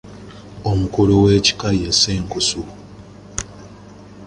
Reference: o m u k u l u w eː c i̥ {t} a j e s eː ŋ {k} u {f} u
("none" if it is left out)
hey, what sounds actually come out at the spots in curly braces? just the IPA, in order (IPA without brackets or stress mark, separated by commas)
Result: k, k, s